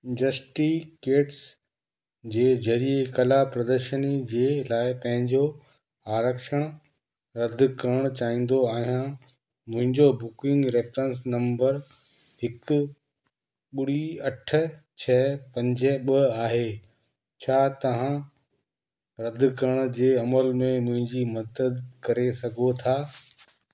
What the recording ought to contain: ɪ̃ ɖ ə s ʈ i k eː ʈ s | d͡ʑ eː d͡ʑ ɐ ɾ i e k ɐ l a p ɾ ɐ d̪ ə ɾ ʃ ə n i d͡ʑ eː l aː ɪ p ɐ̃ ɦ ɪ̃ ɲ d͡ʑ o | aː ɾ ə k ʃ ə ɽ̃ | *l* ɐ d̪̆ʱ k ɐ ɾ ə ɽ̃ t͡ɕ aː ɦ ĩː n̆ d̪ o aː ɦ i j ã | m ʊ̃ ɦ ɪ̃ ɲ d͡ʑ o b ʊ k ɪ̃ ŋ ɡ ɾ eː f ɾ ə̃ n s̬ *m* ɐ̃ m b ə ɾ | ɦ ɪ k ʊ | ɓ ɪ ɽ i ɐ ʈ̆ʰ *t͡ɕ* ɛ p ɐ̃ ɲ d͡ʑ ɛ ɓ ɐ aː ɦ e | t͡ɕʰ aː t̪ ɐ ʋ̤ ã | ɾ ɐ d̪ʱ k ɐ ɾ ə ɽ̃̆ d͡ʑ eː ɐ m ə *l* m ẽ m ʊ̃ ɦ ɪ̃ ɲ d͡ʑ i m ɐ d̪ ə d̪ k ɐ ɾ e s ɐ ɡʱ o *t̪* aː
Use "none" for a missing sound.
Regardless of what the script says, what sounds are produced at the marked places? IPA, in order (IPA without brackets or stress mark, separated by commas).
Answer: ɾ, n, t͡ɕʰ, l, t̪ʰ